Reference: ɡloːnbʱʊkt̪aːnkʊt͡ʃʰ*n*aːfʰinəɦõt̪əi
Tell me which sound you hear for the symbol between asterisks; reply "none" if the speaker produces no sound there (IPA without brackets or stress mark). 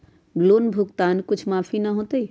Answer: m